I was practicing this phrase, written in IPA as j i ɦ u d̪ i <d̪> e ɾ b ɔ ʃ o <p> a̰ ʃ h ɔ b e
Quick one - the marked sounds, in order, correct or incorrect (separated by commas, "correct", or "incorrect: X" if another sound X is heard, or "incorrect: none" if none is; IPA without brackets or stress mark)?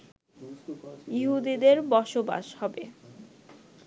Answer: correct, incorrect: b